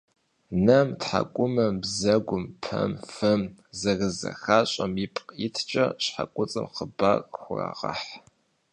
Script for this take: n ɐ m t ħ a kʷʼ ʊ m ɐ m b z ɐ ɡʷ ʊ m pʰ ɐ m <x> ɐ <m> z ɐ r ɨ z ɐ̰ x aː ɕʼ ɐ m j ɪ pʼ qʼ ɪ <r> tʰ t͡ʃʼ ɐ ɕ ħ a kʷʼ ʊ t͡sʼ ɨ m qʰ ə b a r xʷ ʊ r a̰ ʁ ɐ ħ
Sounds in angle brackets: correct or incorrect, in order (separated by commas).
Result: incorrect, correct, incorrect